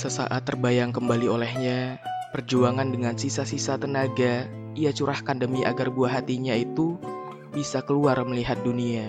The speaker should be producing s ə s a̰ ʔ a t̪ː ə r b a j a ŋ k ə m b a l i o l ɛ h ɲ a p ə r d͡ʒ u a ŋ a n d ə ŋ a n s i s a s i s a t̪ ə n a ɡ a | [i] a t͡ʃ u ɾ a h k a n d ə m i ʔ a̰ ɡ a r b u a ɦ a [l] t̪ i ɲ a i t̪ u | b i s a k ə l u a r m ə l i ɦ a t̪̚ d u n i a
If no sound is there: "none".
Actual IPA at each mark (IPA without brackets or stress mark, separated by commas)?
i, none